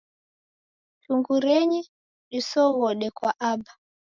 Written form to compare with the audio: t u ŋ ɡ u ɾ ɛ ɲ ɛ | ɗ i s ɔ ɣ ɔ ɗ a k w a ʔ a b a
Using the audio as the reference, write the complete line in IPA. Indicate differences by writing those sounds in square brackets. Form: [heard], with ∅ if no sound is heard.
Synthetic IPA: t u ŋ ɡ u ɾ ɛ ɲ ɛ | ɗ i s ɔ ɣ ɔ ɗ [ɛ] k w a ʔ a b a